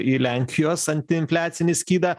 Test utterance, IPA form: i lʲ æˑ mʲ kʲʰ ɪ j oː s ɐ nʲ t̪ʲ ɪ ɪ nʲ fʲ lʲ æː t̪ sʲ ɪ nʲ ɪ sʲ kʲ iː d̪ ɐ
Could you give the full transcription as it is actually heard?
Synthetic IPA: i lʲ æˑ ŋʲ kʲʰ ɪ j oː s ɐ nʲ t̪ʲ ɪ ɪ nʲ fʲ lʲ æː t̪ sʲ ɪ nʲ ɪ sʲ kʲ iː d̪ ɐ